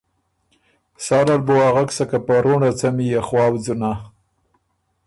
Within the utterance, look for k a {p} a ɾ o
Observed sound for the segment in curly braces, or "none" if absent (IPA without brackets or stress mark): p